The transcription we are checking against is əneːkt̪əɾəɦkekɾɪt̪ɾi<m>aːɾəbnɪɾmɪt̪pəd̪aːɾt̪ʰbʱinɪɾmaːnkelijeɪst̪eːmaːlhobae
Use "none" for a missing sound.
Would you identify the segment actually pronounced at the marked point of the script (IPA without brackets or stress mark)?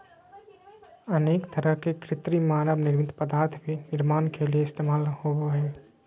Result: m